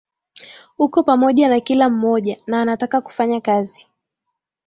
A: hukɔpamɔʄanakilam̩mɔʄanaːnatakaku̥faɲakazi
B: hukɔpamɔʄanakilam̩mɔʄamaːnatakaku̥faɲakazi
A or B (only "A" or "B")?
A